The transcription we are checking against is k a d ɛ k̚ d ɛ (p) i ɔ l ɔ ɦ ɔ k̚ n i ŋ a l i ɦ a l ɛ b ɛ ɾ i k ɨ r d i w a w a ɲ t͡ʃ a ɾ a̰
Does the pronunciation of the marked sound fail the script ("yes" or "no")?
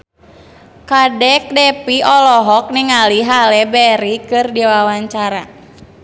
no